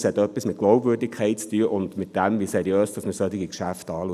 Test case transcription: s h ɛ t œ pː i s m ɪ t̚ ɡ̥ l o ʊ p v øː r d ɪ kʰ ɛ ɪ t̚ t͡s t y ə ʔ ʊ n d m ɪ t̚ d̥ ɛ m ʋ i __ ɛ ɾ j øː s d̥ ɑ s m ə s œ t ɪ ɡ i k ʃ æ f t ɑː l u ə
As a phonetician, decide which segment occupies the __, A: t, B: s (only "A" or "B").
B